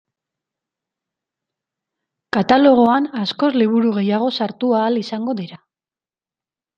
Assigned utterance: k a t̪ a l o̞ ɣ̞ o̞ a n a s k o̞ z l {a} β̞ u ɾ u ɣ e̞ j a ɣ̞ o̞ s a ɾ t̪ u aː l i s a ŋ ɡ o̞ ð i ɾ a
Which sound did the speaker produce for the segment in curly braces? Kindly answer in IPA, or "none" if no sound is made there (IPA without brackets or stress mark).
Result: i